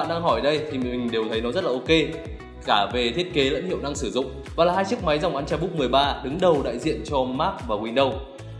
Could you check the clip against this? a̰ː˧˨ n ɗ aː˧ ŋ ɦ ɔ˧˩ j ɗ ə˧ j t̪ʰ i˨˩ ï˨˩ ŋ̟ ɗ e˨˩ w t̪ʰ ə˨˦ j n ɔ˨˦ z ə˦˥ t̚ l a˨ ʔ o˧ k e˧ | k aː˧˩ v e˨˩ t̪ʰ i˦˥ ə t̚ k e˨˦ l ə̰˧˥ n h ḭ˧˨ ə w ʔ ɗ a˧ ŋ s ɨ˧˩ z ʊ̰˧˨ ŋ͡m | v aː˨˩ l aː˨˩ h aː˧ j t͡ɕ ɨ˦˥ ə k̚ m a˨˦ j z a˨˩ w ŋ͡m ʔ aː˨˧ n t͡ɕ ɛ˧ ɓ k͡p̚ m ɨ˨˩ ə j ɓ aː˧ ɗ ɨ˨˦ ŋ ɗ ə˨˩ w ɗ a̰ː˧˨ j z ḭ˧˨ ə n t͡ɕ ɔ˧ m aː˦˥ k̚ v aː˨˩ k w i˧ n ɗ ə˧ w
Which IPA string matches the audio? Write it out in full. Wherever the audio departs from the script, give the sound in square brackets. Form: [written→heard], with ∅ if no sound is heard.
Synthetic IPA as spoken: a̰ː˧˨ n ɗ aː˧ ŋ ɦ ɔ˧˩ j ɗ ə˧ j t̪ʰ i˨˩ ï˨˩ ŋ̟ ɗ e˨˩ w t̪ʰ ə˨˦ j n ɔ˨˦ z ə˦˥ t̚ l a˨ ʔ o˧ k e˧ | k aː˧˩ v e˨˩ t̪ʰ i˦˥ ə t̚ k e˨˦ l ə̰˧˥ n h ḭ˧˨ ə w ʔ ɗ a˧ ŋ s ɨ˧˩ z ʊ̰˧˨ ŋ͡m | v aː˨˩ l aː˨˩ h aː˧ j t͡ɕ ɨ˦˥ ə k̚ m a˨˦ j z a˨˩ w ŋ͡m ʔ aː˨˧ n t͡ɕ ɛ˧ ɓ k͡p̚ m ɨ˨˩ ə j ɓ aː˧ ɗ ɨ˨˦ ŋ ɗ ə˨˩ w ɗ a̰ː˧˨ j z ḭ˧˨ ə n t͡ɕ ɔ˧ m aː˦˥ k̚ v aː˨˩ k w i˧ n ɗ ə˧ w